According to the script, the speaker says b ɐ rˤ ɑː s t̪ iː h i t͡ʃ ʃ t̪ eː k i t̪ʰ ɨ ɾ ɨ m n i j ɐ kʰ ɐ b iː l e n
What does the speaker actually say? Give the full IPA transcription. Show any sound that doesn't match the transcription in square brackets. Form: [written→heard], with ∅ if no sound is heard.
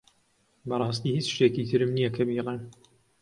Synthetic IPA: b ɐ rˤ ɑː s t̪ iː h i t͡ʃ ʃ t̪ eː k i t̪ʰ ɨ ɾ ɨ m n i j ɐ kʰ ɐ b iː l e n

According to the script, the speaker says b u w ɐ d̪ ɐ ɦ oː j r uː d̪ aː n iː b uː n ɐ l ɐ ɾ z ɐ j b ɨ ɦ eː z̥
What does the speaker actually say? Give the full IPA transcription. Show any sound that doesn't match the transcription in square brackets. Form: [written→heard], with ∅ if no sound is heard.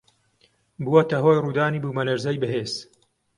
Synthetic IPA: b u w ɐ [d̪→t̪] ɐ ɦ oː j r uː d̪ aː n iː b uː [n→m] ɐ l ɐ ɾ z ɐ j b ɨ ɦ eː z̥

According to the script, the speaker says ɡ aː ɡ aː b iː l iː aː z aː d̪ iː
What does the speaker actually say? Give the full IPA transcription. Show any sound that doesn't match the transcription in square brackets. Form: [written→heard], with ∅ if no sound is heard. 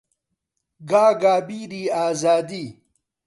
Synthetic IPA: ɡ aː ɡ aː b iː [l→ɾ] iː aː z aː d̪ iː

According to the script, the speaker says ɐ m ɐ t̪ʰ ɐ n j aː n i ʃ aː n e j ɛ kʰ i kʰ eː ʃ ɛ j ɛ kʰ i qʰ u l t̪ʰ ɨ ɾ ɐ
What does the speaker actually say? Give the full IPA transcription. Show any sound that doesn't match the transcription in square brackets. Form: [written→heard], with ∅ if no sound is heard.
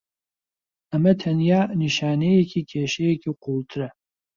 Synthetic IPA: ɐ m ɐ t̪ʰ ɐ n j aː n i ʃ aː n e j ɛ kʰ i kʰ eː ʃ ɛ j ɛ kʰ i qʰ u l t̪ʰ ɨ ɾ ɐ

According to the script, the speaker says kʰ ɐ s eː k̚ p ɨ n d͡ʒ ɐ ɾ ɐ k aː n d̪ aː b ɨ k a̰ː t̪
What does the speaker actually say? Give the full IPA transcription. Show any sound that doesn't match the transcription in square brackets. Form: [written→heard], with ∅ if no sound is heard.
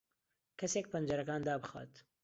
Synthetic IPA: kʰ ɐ s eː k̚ p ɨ n d͡ʒ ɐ ɾ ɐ k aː n d̪ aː b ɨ [k→x] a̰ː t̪

